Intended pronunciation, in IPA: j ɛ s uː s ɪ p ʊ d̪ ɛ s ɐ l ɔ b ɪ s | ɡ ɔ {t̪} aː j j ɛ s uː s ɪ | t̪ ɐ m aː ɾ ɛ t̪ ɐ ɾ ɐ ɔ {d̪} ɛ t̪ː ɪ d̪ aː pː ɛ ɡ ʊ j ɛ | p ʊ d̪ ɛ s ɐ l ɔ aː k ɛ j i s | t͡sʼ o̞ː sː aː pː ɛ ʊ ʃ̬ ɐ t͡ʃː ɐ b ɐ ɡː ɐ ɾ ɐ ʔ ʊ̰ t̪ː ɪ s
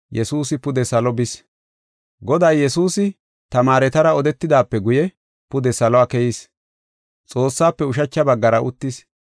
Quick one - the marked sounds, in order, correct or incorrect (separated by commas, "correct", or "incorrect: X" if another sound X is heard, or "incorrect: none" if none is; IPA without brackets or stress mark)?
incorrect: d̪, correct